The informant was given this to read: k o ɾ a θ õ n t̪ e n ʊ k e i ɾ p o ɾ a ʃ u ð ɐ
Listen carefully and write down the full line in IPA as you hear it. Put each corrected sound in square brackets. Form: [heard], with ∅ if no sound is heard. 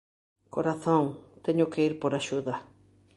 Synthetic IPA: k o ɾ a θ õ [ŋ] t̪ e [ɲ] ʊ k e i ɾ p o ɾ a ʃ u ð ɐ